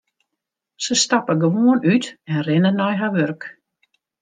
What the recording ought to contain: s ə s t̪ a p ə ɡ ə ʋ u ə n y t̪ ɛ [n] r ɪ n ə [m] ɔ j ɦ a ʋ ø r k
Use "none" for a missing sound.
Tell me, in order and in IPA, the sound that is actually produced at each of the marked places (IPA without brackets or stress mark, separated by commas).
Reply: n, n